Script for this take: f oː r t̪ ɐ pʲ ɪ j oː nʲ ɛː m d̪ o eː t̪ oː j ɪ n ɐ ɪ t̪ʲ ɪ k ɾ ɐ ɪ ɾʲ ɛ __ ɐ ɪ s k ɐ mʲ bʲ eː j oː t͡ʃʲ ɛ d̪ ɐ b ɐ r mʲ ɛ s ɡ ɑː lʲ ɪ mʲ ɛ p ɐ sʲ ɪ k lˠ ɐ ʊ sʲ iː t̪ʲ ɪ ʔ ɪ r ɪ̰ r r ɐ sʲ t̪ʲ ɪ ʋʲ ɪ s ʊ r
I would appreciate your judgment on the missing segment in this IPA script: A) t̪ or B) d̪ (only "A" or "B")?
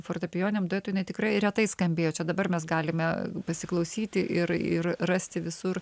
A